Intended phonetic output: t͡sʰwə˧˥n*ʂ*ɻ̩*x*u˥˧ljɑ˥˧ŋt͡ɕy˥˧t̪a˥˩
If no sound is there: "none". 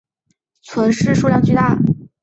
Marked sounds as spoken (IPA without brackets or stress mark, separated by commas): ʂ, ʂ